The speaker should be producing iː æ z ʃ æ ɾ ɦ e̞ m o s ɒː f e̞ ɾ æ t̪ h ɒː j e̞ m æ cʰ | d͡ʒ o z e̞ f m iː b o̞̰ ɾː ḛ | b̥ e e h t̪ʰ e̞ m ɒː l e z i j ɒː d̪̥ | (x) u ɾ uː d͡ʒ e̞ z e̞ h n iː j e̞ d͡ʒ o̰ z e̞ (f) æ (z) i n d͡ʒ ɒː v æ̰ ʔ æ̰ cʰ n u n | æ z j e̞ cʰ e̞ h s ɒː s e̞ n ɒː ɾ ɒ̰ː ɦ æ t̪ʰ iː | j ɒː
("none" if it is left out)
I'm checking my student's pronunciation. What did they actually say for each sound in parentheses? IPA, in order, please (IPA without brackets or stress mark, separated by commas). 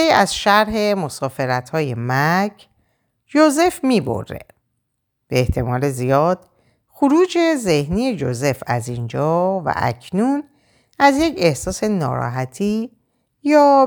x, f, z